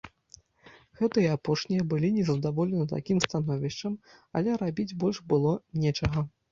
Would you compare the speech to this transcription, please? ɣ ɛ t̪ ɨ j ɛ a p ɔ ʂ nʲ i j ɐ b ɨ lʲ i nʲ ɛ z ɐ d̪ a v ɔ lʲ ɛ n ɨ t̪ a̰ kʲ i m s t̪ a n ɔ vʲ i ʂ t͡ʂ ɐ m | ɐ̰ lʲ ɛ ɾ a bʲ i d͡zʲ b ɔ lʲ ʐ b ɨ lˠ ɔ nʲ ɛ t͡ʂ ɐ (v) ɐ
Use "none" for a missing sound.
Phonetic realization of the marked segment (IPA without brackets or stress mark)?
ɣ